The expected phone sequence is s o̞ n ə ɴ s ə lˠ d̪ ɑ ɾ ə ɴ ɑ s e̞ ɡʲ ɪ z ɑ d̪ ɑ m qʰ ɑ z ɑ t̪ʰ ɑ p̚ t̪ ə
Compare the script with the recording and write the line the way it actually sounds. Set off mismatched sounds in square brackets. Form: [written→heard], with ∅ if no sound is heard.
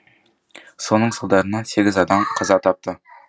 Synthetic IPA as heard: s o̞ n ə ɴ s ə lˠ d̪ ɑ ɾ ə [ɴ→n] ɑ s e̞ ɡʲ ɪ z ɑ d̪ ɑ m qʰ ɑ z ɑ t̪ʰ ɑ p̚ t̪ ə